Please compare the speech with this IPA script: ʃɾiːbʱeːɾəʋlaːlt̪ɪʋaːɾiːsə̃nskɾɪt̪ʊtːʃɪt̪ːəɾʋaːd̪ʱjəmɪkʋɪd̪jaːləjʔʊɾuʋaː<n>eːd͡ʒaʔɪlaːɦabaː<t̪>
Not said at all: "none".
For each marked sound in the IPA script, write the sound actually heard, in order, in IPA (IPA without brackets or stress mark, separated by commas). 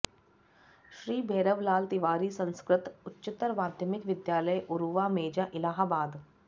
m, d̪